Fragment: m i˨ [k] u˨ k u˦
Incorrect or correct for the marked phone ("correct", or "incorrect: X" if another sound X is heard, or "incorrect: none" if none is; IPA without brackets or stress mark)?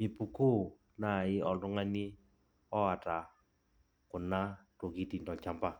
incorrect: p